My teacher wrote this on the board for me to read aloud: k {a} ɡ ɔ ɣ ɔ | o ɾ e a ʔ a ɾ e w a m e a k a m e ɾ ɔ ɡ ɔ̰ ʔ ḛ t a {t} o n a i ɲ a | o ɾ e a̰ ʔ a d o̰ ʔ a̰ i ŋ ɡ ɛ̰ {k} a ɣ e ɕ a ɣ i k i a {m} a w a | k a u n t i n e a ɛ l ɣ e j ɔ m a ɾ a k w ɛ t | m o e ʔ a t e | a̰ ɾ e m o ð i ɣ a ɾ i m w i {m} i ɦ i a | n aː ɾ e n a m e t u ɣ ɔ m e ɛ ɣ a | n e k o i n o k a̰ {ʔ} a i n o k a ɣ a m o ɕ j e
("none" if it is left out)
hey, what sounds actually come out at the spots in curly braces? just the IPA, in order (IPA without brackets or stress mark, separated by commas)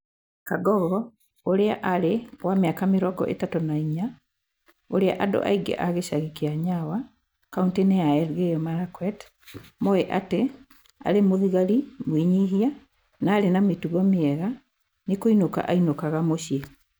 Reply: a, t, ʔ, ɲ, ɲ, ʔ